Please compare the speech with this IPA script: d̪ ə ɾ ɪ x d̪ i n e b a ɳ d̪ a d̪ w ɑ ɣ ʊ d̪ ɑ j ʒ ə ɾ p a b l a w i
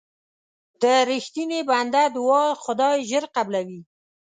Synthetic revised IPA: d̪ ə ɾ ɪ x t̪ i n e b a n d̪ a d̪ w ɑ x ʊ d̪ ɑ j ʒ ə ɾ q a b l a w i